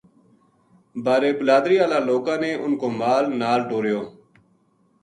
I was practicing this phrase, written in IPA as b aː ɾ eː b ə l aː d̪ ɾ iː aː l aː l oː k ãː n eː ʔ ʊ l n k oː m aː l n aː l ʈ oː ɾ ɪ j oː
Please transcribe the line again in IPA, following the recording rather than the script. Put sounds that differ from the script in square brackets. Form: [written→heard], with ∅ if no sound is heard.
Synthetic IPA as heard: b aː ɾ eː b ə l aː d̪ ɾ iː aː l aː l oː k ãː n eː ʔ ʊ [l→∅] n k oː m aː l n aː l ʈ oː ɾ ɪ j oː